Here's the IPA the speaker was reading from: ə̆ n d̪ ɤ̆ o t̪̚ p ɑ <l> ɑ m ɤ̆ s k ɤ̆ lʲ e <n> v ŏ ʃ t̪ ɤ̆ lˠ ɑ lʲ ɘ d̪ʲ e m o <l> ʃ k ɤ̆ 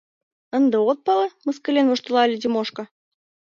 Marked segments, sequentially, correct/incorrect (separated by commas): correct, correct, incorrect